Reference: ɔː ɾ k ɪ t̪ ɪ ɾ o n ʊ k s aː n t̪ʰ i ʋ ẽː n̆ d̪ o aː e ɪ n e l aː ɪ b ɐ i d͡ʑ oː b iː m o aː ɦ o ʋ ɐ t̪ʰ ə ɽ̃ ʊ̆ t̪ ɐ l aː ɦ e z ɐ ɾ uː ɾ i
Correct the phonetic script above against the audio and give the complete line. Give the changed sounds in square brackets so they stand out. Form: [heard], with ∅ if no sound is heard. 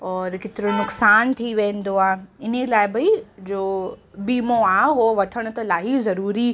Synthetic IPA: ɔː ɾ k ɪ t̪ ɪ ɾ o n ʊ k s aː n t̪ʰ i ʋ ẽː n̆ d̪ o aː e ɪ n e l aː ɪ b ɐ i d͡ʑ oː b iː m o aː ɦ o ʋ ɐ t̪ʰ ə ɽ̃ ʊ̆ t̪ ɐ l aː ɦ [i] z ɐ ɾ uː ɾ i

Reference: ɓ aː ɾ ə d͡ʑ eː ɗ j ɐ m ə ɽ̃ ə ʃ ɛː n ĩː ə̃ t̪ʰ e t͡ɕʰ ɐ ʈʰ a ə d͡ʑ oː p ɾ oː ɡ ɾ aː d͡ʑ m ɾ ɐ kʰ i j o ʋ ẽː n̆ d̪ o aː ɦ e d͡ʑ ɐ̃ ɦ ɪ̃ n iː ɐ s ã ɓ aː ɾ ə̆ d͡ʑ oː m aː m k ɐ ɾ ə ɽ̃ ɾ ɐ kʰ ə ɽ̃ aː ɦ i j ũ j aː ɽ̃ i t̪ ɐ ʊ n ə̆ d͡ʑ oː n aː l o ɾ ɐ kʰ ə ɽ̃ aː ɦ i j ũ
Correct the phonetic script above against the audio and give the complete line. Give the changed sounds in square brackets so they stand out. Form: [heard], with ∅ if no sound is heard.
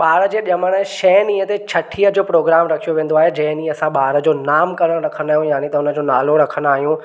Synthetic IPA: ɓ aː ɾ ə d͡ʑ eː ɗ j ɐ m ə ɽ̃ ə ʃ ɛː n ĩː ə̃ [t̪] e t͡ɕʰ ɐ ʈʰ [i] ə d͡ʑ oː p ɾ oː ɡ ɾ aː [∅] m ɾ ɐ kʰ i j o ʋ ẽː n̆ d̪ o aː ɦ e d͡ʑ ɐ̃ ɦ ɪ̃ n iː ɐ s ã ɓ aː ɾ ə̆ d͡ʑ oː [n] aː m k ɐ ɾ ə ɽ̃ ɾ ɐ kʰ ə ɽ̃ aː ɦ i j ũ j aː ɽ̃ i t̪ ɐ ʊ n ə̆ d͡ʑ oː n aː l o ɾ ɐ kʰ ə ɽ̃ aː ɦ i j ũ

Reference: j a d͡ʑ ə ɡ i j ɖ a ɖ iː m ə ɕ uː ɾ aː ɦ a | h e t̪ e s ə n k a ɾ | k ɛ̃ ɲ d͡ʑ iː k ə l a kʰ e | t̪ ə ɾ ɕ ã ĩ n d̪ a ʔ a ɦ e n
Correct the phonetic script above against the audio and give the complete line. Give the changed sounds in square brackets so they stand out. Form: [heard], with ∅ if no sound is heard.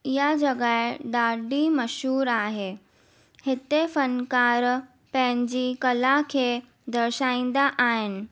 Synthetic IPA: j a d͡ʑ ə ɡ [a] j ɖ a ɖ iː m ə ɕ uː ɾ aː ɦ [e] | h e t̪ e [f] ə n k a ɾ | [p] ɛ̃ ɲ d͡ʑ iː k ə l a kʰ e | [d̪] ə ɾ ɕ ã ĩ n d̪ a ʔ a ɦ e n

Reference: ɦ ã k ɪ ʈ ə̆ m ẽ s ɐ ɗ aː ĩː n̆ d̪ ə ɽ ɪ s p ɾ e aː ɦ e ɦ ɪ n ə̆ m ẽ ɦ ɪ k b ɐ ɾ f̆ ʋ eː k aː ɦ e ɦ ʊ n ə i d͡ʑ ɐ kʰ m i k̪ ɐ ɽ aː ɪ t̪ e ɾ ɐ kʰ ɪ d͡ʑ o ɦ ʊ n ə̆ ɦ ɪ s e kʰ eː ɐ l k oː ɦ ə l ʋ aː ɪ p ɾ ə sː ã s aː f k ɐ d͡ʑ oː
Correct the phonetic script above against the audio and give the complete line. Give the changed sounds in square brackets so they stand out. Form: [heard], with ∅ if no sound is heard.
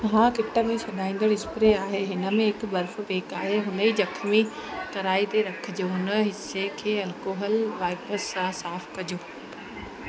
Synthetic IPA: ɦ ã k ɪ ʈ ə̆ m ẽ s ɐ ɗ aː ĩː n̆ d̪ ə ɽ ɪ s p ɾ e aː ɦ e ɦ ɪ n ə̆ m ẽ ɦ ɪ k b ɐ ɾ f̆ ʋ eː k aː ɦ e ɦ ʊ n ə i d͡ʑ ɐ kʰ m i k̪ ɐ [ɾ] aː [i] t̪ e ɾ ɐ kʰ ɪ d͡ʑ o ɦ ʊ n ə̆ ɦ ɪ s e kʰ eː ɐ l k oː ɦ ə l ʋ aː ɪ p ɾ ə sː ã s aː f k ɐ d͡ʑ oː

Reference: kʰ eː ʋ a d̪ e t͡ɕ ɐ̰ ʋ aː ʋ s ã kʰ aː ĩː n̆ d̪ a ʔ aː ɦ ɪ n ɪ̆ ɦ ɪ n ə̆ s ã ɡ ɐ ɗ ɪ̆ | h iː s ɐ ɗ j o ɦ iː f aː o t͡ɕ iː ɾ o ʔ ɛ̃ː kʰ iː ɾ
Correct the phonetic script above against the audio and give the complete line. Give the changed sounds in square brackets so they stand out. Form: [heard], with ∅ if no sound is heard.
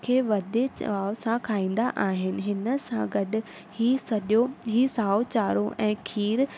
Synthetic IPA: kʰ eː ʋ [ɐ] d̪ e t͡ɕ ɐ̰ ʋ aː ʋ s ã kʰ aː ĩː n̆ d̪ a ʔ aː ɦ ɪ n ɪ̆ ɦ ɪ n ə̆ s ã ɡ ɐ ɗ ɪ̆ | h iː s ɐ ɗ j o ɦ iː [s] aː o t͡ɕ [aː] ɾ o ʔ ɛ̃ː kʰ iː ɾ

